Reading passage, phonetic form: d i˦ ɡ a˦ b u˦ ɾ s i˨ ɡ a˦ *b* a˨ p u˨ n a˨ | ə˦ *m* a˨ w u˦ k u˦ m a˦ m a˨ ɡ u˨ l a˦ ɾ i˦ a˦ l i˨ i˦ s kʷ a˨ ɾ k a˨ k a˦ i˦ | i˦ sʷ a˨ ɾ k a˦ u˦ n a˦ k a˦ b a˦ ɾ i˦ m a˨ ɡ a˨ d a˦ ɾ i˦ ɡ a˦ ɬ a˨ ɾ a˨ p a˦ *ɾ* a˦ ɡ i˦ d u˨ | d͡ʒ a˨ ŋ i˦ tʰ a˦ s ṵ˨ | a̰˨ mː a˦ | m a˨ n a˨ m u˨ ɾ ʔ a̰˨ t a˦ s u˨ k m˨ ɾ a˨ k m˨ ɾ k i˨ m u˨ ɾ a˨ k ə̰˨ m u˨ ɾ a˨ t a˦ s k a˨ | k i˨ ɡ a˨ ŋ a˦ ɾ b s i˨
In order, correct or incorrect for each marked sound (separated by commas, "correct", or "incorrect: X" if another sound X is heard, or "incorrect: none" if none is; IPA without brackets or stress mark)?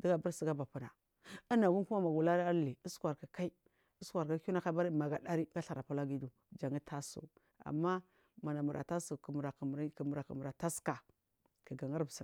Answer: correct, incorrect: n, incorrect: l